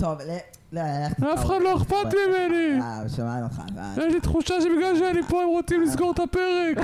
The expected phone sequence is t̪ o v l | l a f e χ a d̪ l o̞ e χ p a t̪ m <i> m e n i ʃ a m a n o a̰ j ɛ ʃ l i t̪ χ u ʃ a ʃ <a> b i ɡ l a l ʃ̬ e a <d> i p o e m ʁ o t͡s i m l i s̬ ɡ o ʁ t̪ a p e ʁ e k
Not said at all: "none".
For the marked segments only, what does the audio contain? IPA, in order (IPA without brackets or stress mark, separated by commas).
i, e, n